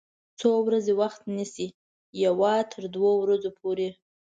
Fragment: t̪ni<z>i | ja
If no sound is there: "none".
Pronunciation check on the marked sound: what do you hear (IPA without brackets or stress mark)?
s